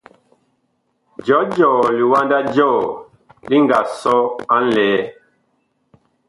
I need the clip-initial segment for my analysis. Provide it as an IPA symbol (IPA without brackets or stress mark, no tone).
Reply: d͡ʒ